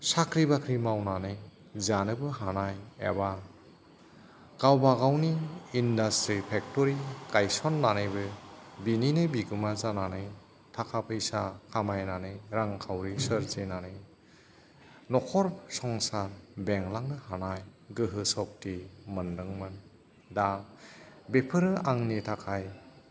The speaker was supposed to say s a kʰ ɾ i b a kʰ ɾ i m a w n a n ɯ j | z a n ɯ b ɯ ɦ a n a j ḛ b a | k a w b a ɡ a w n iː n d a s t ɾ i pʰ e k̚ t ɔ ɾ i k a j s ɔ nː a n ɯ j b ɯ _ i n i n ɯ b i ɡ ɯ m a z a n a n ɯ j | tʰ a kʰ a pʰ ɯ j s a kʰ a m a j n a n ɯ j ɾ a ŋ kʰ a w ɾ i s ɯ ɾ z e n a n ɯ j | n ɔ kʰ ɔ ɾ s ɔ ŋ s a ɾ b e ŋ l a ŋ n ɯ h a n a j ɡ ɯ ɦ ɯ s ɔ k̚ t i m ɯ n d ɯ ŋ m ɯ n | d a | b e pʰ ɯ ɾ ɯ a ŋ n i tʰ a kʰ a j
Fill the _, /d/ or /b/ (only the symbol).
b